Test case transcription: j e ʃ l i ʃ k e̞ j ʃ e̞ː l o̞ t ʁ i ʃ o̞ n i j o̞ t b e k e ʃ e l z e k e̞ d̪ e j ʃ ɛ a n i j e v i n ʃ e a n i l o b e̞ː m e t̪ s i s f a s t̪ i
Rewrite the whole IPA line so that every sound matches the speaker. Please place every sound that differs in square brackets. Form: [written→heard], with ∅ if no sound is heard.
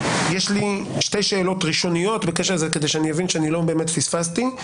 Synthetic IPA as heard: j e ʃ l i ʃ [k→t] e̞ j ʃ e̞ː l o̞ t ʁ i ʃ o̞ n i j o̞ t b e k e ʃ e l z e k e̞ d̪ e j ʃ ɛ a n i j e v i n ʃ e a n i l o b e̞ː m e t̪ [s→f] i s f a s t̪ i